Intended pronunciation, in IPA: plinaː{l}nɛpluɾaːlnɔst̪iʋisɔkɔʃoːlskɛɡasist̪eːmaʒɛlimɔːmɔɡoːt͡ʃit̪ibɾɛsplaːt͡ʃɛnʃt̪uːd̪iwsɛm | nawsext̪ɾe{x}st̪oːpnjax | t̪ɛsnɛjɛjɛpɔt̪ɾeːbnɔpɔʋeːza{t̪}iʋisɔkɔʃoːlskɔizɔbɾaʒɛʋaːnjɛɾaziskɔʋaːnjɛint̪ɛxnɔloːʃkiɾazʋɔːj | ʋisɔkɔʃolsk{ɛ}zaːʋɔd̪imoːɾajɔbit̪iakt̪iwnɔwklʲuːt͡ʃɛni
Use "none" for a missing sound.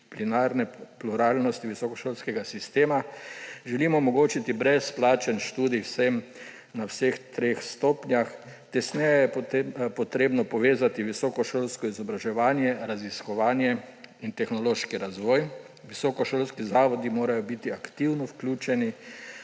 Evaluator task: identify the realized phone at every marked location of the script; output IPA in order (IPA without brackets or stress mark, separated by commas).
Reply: ɾ, x, t̪, i